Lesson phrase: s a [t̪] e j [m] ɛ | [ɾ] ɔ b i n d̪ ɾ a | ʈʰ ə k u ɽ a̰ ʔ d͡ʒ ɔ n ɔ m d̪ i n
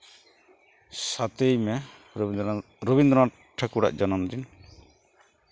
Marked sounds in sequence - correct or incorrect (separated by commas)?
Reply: correct, correct, correct